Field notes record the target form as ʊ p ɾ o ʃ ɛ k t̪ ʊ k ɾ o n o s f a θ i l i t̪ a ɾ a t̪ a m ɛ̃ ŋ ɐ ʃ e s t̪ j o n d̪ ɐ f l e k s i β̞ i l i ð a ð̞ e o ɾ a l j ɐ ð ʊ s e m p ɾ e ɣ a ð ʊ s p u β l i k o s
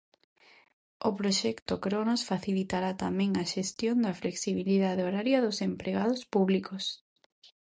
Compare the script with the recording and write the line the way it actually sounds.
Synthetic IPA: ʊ p ɾ o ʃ ɛ k t̪ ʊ k ɾ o n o s f a θ i l i t̪ a ɾ a t̪ a m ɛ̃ ŋ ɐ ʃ e s t̪ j o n d̪ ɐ f l e k s i β̞ i l i ð a ð̞ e o ɾ a ɾ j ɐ ð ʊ s e m p ɾ e ɣ a ð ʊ s p u β l i k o s